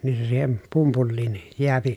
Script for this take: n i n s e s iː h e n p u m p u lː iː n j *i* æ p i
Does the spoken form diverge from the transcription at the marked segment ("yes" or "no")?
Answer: yes